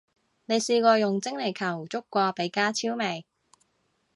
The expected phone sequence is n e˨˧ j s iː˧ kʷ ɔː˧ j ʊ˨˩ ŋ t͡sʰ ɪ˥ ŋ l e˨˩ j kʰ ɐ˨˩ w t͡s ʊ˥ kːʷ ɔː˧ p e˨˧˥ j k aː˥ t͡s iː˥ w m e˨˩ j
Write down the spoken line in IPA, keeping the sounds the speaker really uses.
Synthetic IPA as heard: n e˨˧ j s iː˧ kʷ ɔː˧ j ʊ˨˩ ŋ t͡s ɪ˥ ŋ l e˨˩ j kʰ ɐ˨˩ w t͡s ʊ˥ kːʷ ɔː˧ p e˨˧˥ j k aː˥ t͡sʰ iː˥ w m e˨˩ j